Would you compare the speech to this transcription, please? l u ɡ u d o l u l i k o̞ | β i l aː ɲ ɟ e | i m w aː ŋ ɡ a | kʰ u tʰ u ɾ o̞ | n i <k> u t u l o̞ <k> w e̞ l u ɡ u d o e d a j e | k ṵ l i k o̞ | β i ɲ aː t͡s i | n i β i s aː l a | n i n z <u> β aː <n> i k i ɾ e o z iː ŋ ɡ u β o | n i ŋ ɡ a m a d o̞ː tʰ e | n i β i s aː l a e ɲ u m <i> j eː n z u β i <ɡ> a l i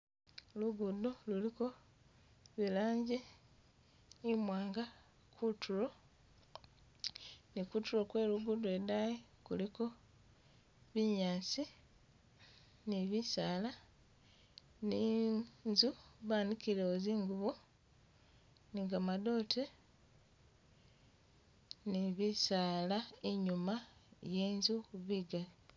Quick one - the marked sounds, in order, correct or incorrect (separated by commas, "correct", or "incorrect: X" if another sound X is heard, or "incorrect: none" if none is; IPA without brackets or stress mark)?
correct, correct, correct, correct, incorrect: a, correct